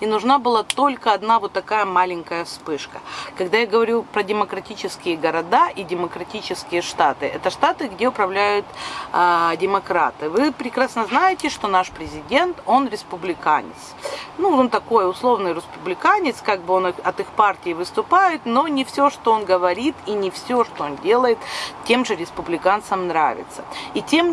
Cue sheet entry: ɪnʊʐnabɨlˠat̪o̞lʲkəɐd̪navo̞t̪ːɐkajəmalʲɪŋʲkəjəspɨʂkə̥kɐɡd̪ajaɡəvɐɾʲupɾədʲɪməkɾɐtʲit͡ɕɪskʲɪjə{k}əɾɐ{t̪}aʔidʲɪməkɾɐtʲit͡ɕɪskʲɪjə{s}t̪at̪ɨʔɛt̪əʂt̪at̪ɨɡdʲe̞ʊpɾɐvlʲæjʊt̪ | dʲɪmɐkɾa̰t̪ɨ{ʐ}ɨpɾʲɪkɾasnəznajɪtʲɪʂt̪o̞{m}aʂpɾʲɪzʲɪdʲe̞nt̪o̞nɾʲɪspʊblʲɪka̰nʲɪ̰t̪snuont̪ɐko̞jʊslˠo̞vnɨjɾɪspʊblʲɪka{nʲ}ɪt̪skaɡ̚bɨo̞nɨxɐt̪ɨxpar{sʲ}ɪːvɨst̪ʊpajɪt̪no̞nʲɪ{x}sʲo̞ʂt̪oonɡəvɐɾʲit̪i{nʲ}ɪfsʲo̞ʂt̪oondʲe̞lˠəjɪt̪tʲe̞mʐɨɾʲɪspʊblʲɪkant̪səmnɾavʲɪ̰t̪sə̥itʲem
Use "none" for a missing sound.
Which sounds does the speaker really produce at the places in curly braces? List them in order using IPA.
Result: ɡ, d̪, ʂ, v, n, nʲ, tʲ, f, nʲ

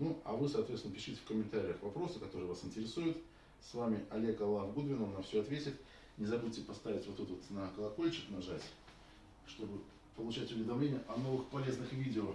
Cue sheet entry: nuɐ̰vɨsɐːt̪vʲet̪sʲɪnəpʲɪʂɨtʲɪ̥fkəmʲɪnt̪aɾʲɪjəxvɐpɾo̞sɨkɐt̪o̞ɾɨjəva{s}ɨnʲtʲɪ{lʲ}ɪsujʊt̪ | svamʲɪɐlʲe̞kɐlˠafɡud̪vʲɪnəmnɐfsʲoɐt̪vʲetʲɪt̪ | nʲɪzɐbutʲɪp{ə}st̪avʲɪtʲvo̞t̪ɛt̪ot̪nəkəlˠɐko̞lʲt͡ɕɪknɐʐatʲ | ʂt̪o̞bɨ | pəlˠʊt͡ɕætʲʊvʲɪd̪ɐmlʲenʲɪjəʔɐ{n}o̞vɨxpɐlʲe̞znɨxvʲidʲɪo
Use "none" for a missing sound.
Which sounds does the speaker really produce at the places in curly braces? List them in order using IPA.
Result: s, ɾʲ, ɐ, n

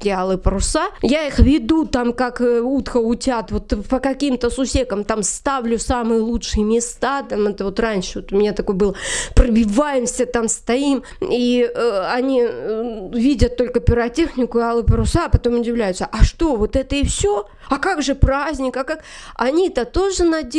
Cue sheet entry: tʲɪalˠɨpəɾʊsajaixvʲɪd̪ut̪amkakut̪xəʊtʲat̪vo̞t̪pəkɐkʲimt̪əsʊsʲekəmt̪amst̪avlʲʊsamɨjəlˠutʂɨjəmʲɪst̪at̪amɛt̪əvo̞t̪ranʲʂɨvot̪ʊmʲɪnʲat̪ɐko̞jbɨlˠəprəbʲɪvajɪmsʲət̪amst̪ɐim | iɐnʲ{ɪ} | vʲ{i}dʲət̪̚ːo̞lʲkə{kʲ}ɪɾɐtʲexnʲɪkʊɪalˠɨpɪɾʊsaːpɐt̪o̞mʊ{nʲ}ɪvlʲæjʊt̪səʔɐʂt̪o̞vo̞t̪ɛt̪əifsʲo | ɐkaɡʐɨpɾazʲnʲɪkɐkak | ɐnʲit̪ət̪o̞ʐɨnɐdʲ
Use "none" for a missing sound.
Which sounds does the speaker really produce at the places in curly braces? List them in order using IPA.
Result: i, i, pʲ, dʲ

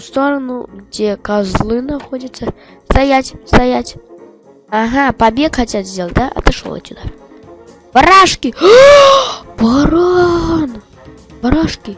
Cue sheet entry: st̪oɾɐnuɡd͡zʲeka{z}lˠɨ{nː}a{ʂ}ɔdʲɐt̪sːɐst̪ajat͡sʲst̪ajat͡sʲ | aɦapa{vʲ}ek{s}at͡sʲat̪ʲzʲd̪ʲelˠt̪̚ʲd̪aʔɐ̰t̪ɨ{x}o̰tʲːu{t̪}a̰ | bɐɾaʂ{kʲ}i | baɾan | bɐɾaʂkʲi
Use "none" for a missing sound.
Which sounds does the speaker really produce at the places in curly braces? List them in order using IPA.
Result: z, n, x, bʲ, x, ʂ, d̪, kʲ

